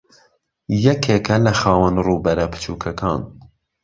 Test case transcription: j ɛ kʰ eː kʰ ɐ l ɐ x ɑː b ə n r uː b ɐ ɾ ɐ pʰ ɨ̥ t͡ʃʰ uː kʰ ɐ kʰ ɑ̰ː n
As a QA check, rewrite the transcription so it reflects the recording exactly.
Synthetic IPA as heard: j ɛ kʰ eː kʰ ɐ l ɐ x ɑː w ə n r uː b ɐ ɾ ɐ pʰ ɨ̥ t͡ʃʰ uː kʰ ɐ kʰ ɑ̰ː n